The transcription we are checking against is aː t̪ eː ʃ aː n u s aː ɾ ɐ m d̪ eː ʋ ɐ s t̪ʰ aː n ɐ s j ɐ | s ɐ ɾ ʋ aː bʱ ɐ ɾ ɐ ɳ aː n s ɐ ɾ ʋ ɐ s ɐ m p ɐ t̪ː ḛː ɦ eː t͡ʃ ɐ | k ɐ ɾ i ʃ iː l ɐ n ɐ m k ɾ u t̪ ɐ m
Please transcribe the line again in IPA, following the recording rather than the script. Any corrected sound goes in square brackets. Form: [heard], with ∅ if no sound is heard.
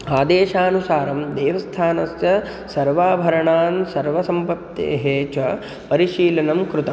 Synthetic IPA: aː [d̪] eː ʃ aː n u s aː ɾ ɐ m d̪ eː ʋ ɐ s t̪ʰ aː n ɐ s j ɐ | s ɐ ɾ ʋ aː bʱ ɐ ɾ ɐ ɳ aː n s ɐ ɾ ʋ ɐ s ɐ m p ɐ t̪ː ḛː ɦ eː t͡ʃ ɐ | [p] ɐ ɾ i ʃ iː l ɐ n ɐ m k ɾ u t̪ ɐ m